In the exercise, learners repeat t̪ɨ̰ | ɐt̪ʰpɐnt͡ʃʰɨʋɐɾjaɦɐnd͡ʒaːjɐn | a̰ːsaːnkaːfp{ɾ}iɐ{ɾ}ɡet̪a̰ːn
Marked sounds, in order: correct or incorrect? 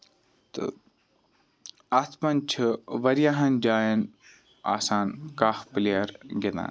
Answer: incorrect: l, correct

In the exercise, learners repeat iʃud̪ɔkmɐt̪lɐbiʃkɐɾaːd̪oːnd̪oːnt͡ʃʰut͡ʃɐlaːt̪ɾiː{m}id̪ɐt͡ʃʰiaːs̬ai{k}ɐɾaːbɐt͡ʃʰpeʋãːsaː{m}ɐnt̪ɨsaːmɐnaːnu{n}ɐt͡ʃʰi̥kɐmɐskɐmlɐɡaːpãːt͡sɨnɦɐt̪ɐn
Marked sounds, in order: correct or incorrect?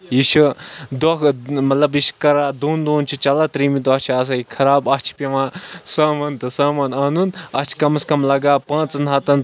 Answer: correct, incorrect: kʰ, correct, correct

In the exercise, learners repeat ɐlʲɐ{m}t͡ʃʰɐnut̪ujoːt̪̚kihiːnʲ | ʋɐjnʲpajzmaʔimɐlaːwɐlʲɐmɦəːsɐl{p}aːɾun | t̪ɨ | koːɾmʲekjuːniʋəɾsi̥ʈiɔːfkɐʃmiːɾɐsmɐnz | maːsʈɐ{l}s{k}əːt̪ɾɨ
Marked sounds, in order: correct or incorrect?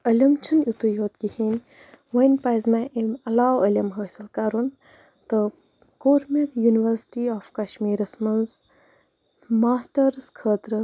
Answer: correct, incorrect: k, incorrect: ɾ, incorrect: kʰ

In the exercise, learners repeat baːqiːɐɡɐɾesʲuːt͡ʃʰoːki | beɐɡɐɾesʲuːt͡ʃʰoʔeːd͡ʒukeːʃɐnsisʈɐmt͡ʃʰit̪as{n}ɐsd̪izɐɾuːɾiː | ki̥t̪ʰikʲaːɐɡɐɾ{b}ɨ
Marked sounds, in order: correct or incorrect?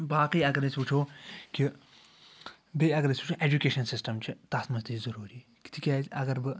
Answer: incorrect: m, correct

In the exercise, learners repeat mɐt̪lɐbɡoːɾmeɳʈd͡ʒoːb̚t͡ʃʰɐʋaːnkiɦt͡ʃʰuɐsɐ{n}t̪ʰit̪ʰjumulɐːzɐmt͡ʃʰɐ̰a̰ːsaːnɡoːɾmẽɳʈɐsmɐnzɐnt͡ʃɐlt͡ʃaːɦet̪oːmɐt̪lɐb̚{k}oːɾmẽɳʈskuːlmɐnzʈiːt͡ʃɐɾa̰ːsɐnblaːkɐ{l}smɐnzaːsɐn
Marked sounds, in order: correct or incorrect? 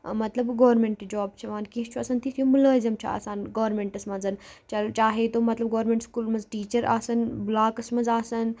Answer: correct, incorrect: ɡ, incorrect: none

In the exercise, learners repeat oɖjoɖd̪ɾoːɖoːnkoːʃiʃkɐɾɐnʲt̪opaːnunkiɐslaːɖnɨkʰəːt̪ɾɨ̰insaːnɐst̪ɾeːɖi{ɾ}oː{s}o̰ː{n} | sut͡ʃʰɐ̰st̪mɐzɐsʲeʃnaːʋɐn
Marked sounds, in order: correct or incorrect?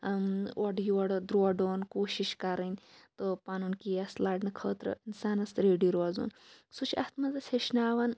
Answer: correct, incorrect: z, correct

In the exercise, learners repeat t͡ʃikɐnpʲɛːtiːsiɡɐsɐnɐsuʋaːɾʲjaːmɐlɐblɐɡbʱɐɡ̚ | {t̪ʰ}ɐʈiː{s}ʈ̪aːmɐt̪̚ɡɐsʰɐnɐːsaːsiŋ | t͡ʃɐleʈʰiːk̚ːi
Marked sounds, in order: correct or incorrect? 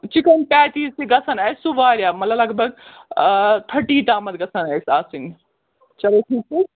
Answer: correct, incorrect: none

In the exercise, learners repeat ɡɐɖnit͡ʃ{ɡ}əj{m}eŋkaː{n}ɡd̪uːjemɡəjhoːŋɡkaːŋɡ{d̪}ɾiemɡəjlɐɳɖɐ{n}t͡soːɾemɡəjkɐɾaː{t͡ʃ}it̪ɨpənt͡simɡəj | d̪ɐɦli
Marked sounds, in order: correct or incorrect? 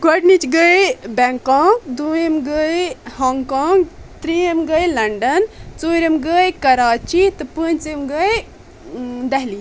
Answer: correct, incorrect: b, incorrect: ŋ, incorrect: t̪, correct, correct

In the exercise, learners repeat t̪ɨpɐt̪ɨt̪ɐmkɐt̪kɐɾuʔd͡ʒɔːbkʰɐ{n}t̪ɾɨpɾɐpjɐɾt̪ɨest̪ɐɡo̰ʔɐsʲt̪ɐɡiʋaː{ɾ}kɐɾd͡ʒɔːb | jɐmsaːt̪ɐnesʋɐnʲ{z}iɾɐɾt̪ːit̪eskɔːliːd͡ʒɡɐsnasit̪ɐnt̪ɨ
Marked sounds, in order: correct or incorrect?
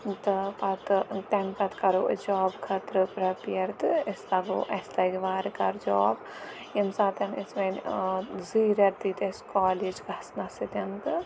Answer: incorrect: none, correct, correct

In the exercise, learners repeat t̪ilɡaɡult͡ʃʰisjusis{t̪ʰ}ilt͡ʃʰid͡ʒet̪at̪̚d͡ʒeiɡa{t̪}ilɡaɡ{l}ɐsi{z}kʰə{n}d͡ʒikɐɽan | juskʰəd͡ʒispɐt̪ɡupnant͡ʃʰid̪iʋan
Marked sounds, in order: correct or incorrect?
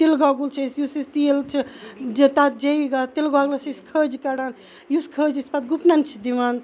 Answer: incorrect: t̪, correct, correct, incorrect: s, incorrect: none

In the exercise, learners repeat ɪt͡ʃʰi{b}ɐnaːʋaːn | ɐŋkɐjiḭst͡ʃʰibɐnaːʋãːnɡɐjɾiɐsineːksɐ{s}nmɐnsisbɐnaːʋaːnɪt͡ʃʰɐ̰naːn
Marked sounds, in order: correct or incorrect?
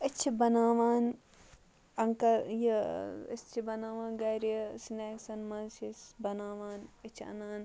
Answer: correct, incorrect: none

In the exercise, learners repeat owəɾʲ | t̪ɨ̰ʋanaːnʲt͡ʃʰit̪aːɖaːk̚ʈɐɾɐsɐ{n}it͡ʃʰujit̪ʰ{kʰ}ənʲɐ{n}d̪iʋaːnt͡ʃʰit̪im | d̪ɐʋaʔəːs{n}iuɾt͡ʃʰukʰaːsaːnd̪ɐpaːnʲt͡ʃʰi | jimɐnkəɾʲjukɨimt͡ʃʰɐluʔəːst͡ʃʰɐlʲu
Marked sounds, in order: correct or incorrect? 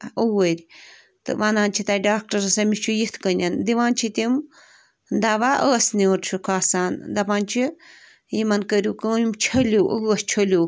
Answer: incorrect: m, incorrect: k, correct, correct

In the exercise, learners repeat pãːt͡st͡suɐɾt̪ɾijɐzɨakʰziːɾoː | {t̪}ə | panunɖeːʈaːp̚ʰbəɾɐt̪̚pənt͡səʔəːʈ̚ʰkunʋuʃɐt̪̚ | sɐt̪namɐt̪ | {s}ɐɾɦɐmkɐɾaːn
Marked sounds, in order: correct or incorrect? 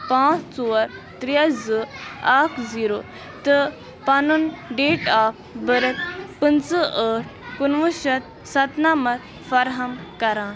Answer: correct, incorrect: f

